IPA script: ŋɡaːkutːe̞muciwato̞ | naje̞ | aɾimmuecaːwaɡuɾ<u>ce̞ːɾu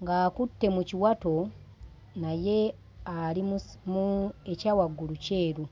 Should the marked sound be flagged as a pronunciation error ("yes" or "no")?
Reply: no